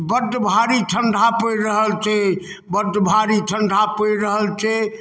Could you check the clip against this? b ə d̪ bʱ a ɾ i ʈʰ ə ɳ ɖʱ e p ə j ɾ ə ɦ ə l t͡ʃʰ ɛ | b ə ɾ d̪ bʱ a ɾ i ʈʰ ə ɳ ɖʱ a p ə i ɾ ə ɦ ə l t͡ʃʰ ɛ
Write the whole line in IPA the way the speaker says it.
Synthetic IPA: b ə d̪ bʱ a ɾ i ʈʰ ə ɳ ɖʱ a p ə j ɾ ə ɦ ə l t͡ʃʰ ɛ | b ə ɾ d̪ bʱ a ɾ i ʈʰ ə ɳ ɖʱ a p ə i ɾ ə ɦ ə l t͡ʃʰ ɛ

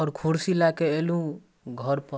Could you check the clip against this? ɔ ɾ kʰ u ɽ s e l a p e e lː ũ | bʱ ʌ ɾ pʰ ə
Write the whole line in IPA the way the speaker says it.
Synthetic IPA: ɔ ɾ kʰ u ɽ s i l a k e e l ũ | ɡʱ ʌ ɾ p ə

